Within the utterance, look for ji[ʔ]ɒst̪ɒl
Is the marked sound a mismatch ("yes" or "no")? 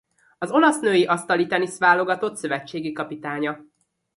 no